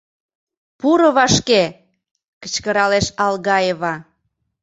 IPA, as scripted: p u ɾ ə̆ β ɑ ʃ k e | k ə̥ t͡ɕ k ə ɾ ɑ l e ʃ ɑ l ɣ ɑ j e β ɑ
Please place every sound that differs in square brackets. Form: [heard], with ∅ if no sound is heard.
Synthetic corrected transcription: p u ɾ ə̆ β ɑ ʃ k e | k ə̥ t͡ɕ k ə ɾ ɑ l e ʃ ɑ l ɣ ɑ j e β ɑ